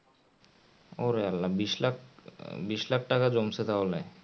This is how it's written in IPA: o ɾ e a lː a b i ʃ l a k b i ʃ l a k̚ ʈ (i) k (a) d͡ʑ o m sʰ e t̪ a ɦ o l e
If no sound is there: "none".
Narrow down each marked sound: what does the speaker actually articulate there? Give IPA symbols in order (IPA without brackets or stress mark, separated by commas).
a, a